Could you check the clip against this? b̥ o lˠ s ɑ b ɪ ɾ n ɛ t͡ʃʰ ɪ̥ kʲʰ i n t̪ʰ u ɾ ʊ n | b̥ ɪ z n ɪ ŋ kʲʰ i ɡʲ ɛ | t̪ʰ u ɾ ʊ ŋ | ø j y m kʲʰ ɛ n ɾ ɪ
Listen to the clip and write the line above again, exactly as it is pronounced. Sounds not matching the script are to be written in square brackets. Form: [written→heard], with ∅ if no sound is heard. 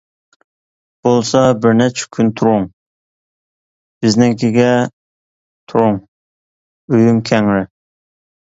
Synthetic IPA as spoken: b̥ o lˠ s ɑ b ɪ ɾ n ɛ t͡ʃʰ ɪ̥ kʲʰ [i→y] n t̪ʰ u ɾ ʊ [n→ŋ] | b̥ ɪ z n ɪ ŋ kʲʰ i ɡʲ ɛ | t̪ʰ u ɾ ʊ ŋ | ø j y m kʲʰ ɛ [n→ŋ] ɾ ɪ